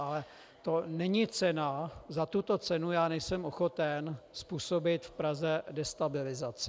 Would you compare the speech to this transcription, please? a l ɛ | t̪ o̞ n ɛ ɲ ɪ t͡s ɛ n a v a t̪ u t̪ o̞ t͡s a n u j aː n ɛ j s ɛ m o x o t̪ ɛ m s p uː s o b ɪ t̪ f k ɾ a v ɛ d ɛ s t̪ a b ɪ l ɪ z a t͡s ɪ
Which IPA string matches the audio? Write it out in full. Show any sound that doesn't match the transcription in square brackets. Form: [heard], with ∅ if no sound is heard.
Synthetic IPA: a l ɛ | t̪ o̞ n ɛ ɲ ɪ t͡s ɛ n a [z] a t̪ u t̪ o̞ t͡s [ɛ] n u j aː n ɛ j s ɛ m o x o t̪ ɛ [n] s p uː s o b ɪ t̪ f [p] ɾ a [z] ɛ d ɛ s t̪ a b ɪ l ɪ z a t͡s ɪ